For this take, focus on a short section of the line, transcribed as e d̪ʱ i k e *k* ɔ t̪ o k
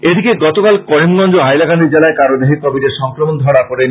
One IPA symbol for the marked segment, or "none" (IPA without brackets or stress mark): ɡ